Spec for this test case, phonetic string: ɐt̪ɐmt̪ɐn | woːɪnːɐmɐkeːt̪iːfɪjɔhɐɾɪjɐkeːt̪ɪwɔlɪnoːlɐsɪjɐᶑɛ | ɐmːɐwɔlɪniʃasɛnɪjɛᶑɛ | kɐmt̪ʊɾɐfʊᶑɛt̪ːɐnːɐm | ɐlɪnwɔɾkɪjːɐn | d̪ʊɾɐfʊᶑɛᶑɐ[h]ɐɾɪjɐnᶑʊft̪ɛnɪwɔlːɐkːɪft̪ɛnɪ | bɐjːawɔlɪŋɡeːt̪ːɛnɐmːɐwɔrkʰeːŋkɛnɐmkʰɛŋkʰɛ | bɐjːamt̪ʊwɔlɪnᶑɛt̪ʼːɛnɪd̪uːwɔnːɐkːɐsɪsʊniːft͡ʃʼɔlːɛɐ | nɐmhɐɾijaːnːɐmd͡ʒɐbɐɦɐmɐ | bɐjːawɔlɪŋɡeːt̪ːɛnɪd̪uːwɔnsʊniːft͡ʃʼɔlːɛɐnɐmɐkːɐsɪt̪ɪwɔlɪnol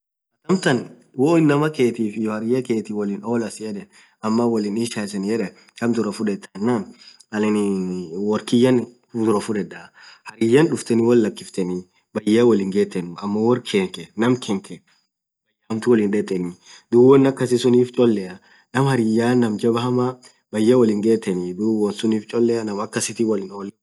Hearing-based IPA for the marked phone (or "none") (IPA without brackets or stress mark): h